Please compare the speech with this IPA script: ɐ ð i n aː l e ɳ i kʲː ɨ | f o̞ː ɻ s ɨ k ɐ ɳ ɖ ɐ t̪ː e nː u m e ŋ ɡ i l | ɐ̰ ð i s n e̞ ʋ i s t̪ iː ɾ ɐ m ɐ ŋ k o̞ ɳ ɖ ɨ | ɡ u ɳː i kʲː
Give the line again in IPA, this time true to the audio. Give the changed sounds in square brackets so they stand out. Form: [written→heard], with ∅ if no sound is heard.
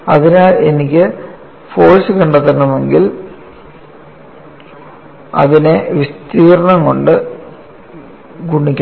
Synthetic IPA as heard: ɐ ð i n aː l e [ɳ→n] i kʲː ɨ | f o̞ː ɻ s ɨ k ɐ ɳ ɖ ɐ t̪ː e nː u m e ŋ ɡ i l | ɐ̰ ð i [s→∅] n e̞ ʋ i s t̪ iː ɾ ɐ [m→ɳ] ɐ ŋ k o̞ ɳ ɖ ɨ | ɡ u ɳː i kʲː